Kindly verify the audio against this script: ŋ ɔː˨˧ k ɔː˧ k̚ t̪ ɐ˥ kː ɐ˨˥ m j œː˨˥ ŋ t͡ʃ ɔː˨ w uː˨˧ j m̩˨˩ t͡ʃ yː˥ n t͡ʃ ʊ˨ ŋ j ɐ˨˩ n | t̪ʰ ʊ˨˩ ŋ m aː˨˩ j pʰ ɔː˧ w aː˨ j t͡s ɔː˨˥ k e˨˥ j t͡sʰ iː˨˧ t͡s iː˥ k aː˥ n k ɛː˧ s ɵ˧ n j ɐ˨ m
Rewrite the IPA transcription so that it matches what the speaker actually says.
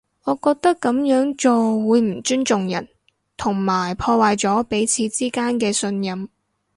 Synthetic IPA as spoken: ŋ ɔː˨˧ k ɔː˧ k̚ t̪ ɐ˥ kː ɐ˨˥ m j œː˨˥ ŋ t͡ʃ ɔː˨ w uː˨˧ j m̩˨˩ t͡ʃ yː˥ n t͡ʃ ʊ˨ ŋ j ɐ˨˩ n | t̪ʰ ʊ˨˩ ŋ m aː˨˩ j pʰ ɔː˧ w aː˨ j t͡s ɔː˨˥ p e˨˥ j t͡sʰ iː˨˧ t͡s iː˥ k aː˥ n k ɛː˧ s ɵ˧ n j ɐ˨ m

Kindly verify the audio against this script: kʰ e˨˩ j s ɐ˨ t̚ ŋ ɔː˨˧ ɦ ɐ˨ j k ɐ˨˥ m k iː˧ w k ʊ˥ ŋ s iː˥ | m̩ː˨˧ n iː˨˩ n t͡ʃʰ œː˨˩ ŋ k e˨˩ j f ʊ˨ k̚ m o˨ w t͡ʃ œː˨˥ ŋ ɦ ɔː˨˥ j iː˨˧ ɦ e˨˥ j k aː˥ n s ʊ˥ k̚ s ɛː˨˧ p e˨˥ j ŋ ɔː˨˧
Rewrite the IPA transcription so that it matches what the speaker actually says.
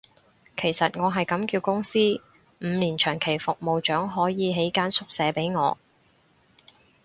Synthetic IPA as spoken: kʰ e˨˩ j s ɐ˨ t̚ ŋ ɔː˨˧ ɦ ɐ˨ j k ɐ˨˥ m k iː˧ w k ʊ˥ ŋ s iː˥ | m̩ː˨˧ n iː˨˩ n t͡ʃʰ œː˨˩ ŋ kʰ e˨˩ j f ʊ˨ k̚ m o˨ w t͡ʃ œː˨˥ ŋ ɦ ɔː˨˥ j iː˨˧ ɦ e˨˥ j k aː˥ n s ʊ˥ k̚ s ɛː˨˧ p e˨˥ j ŋ ɔː˨˧

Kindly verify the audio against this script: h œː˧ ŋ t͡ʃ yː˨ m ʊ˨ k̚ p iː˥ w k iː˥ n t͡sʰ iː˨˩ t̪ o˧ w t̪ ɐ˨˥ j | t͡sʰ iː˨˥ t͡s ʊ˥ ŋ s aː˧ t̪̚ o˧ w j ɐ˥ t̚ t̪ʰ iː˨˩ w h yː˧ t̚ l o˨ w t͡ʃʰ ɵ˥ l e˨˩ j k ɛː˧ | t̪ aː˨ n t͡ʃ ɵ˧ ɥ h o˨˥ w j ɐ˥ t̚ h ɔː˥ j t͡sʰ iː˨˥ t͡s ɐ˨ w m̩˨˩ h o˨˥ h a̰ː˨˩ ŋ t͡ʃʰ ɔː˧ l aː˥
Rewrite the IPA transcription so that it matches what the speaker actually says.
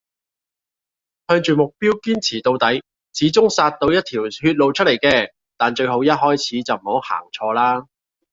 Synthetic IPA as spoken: h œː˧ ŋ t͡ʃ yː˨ m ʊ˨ k̚ p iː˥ w k iː˥ n t͡sʰ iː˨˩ t̪ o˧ w t̪ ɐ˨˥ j | t͡sʰ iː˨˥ t͡s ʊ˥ ŋ s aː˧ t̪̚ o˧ w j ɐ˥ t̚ t̪ʰ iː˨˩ w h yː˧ t̚ l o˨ w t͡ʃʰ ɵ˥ l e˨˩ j k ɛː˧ | t̪ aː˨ n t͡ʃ ɵ˧ ɥ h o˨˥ w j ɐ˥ t̚ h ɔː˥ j t͡sʰ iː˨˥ t͡s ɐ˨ w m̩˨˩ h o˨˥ h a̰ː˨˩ ŋ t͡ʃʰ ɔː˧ l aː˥

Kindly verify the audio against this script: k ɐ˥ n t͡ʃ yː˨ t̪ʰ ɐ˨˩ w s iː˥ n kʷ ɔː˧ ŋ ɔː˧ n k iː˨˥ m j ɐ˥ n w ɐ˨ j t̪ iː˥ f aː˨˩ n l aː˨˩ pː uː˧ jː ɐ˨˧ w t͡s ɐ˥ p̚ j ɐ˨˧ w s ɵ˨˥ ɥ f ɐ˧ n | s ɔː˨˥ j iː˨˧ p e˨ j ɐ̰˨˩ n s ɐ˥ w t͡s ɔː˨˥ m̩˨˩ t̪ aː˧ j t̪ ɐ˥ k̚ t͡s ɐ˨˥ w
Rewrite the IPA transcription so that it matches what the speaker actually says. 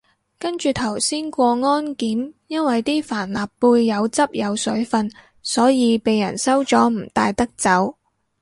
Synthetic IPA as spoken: k ɐ˥ n t͡ʃ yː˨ t̪ʰ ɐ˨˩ w s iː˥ n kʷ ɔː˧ ŋ ɔː˥ n k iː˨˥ m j ɐ˥ n w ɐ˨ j t̪ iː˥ f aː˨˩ n l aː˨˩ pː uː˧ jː ɐ˨˧ w t͡s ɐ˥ p̚ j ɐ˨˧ w s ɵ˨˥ ɥ f ɐ˧ n | s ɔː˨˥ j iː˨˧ p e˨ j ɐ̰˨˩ n s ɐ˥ w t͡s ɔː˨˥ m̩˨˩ t̪ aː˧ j t̪ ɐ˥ k̚ t͡s ɐ˨˥ w

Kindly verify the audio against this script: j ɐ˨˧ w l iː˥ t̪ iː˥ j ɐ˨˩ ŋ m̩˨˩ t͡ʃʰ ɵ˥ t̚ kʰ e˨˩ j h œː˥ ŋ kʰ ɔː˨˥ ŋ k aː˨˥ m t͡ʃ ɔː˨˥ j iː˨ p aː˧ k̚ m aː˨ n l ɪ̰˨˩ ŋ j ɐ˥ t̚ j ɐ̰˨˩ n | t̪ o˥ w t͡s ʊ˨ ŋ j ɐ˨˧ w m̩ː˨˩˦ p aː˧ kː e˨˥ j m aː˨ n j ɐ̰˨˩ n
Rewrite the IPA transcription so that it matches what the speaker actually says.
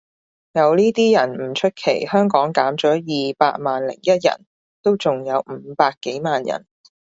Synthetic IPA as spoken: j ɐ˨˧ w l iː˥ t̪ iː˥ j ɐ˨˩ n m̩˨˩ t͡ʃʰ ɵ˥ t̚ kʰ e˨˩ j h œː˥ ŋ k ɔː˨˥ ŋ k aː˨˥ m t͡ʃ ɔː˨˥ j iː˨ p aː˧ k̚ m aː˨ n l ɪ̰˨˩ ŋ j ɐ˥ t̚ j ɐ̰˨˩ n | t̪ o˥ w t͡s ʊ˨ ŋ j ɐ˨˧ w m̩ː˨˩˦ p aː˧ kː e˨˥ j m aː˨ n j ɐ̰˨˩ n

